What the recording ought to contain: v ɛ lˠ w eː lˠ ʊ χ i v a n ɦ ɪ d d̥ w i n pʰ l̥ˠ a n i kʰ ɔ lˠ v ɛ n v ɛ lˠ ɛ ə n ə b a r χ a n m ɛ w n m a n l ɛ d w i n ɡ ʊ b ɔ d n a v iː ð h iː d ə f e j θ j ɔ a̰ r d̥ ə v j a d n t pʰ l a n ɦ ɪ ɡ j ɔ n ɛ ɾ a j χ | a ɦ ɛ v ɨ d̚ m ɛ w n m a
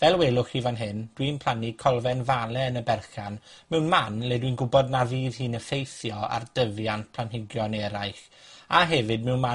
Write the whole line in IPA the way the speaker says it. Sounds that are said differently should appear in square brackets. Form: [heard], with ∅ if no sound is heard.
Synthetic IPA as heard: v ɛ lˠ w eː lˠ ʊ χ i v a n ɦ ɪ [n] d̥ w i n pʰ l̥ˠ a n i kʰ ɔ lˠ v ɛ n v [a] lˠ ɛ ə n ə b [ɛ] r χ a n m ɛ w n m a n l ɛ d w i n ɡ ʊ b ɔ d n a v iː ð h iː [n] ə f e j θ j ɔ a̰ r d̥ ə v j a [∅] n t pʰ l a n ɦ ɪ ɡ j ɔ n ɛ ɾ a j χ | a ɦ ɛ v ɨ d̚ m ɛ w n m a